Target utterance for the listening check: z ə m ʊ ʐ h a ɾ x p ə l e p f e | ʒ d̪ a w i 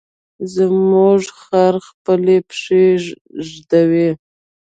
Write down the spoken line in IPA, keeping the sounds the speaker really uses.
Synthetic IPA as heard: z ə m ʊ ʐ x a ɾ x p ə l e p ʂ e | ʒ d̪ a w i